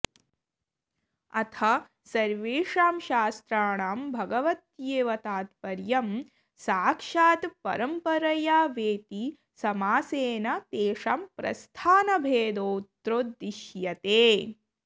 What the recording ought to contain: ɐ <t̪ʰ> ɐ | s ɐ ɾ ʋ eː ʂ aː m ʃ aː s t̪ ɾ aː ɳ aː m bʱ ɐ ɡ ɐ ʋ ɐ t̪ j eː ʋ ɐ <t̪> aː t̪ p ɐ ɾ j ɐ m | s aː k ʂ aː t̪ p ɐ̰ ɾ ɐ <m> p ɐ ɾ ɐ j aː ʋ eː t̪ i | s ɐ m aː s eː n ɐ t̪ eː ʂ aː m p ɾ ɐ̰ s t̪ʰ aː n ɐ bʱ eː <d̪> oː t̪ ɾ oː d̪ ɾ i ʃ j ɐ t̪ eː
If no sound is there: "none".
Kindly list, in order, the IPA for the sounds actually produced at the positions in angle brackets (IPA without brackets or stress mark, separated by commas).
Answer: t̪ʰ, t̪, m, d̪